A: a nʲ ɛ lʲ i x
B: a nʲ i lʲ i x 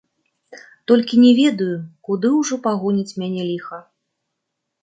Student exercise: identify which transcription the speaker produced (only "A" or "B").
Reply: A